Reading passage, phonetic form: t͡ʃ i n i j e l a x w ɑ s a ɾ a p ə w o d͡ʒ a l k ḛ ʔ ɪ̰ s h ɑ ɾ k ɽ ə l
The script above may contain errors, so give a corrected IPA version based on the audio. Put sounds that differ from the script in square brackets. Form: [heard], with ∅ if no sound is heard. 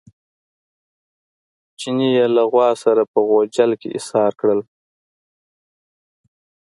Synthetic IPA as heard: t͡ʃ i n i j e l a [ɣ] w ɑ s a ɾ a p ə [ɣ] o d͡ʒ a l k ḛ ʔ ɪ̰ s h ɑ ɾ k ɽ ə l